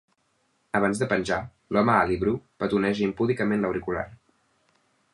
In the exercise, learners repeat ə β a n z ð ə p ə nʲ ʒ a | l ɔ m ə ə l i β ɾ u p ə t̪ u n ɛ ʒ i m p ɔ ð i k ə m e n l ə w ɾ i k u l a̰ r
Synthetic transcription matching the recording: ə β a n z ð ə p ə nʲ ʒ a | l ɔ m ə a l i β ɾ u p ə t̪ u n ɛ ʒ i m p u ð i k ə m e n l ə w ɾ i k u l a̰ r

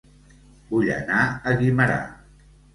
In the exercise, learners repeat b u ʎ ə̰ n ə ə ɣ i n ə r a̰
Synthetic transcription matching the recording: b u ʎ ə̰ n a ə ɣ i m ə ɾ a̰

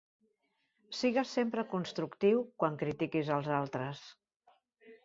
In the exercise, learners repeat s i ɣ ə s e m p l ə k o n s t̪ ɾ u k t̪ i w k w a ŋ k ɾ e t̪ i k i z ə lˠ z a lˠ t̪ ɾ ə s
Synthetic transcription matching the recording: s i ɣ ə s e m p ɾ ə k u n s t̪ ɾ u k t̪ i w k w a ŋ k ɾ i t̪ i k i z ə lˠ z a lˠ t̪ ɾ ə s

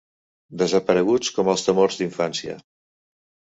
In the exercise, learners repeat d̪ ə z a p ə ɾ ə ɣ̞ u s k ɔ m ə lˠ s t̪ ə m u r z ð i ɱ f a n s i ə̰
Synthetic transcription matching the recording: d̪ ə z ə p ə ɾ ə ɣ̞ u t͡s k ɔ m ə lˠ s t̪ ə m o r z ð i ɱ f a n s i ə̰

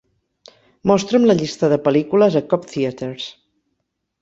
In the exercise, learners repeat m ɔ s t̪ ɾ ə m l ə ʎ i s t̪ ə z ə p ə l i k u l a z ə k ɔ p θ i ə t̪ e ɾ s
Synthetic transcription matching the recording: m ɔ s t̪ ɾ ə m l ə ʎ i s t̪ ə ð ə p ə l i k u l ə z ə k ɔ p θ i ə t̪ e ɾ s

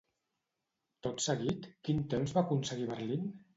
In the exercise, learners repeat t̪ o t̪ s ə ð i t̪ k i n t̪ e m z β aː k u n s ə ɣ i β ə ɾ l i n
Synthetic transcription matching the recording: t̪ o t̪ s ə ɣ i t̪ k i n t̪ e m z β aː k u n s ə ɣ i β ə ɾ l i n

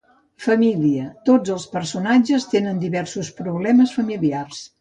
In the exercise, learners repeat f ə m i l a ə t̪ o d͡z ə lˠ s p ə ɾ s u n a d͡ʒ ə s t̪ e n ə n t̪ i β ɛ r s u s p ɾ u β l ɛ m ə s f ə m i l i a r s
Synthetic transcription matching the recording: f ə m i l i ə t̪ o d͡z ə lˠ s p ə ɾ s u n a d͡ʒ ə s t̪ e n ə n d̪ i β ɛ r s u s p ɾ u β l ɛ m ə s f ə m i l i a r s

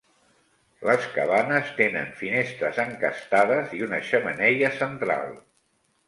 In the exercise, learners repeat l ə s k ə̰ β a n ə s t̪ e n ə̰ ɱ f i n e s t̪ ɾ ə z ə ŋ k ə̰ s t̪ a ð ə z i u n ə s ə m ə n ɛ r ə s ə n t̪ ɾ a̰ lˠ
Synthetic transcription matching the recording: l ə s k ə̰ β a n ə s t̪ e n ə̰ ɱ f i n e s t̪ ɾ ə z ə ŋ k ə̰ s t̪ a ð ə z i u n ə ʃ ə m ə n ɛ ʎ ə s ə n t̪ ɾ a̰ lˠ

